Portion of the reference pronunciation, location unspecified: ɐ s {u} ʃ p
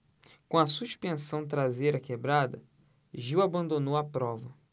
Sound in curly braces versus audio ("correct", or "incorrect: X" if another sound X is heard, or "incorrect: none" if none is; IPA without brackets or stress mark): correct